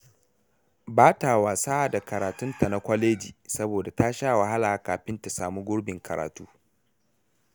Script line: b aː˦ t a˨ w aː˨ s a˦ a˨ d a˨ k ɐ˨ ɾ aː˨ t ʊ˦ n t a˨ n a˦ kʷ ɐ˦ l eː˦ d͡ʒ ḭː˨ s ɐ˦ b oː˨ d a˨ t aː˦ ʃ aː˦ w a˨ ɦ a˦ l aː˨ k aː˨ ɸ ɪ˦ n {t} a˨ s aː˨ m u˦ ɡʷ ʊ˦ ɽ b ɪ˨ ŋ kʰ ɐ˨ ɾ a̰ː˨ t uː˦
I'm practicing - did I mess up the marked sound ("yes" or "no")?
no